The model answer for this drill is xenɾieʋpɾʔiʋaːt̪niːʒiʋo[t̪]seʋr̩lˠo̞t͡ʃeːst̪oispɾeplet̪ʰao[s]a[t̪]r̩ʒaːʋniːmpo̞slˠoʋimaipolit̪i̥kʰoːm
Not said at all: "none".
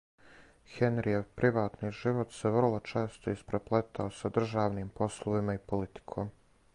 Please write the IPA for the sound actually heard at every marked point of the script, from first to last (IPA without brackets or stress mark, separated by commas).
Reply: t̪, s, d̪